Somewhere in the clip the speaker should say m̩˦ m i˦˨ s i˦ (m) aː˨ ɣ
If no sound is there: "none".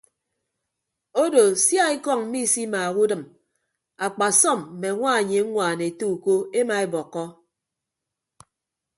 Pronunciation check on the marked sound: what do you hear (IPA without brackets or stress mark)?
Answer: m